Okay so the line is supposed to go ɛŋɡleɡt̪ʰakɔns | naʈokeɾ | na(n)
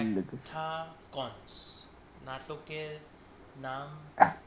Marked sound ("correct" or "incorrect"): incorrect